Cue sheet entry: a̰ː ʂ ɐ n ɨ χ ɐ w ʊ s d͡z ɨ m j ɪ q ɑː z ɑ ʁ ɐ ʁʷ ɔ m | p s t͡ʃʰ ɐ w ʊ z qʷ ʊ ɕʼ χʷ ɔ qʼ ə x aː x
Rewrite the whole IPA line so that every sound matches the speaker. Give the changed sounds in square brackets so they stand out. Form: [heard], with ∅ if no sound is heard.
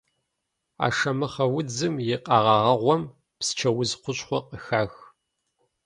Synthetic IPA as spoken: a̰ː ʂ ɐ [m] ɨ χ ɐ w ʊ [∅] d͡z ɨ m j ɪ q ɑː [ʁ] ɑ ʁ ɐ ʁʷ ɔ m | p s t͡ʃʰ ɐ w ʊ z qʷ ʊ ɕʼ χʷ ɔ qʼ ə x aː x